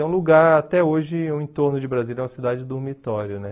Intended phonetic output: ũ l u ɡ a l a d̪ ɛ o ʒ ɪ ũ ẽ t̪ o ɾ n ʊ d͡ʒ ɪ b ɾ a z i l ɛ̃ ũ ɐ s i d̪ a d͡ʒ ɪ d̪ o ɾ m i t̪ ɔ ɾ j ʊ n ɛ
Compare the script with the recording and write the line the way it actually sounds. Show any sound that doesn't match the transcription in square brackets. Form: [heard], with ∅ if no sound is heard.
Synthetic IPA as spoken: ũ l u ɡ a [ɾ] a [t̪] ɛ o ʒ ɪ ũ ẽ t̪ o ɾ n ʊ d͡ʒ ɪ b ɾ a z i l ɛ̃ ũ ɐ s i d̪ a d͡ʒ ɪ d̪ o ɾ m i t̪ ɔ ɾ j ʊ n ɛ

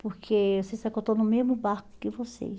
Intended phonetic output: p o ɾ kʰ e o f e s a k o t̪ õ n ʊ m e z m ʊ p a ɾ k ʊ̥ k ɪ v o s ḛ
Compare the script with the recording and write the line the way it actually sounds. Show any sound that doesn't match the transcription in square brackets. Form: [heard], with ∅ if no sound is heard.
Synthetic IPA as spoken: p o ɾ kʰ e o [s] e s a k o t̪ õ n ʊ m e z m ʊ [b] a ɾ k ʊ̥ k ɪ v o s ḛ

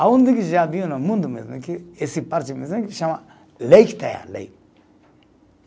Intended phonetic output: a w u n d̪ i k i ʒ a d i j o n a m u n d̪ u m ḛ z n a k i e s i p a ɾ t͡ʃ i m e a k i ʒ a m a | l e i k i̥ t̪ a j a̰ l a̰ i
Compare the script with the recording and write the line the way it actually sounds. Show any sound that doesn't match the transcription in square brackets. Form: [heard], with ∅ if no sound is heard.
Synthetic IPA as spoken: a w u n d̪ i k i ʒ a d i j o n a m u n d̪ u m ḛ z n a k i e s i p a ɾ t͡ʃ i m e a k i [ʃ] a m a | l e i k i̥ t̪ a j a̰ l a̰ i

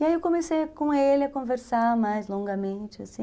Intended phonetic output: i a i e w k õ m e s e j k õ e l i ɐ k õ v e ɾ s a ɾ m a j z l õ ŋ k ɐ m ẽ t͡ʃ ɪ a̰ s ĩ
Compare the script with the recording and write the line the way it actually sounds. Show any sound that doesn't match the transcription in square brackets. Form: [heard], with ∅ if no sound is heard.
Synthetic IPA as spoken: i a i e w k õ m e s e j k õ e l [ɪ] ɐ k õ v e ɾ s a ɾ m a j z l õ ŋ [ɡ] ɐ m ẽ t͡ʃ ɪ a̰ s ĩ

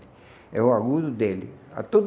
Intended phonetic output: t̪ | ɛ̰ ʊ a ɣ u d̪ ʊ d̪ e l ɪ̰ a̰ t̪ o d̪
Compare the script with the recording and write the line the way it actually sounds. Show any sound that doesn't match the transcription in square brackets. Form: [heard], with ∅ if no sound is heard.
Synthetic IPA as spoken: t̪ | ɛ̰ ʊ a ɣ u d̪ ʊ d̪ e l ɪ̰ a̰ t̪ o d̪

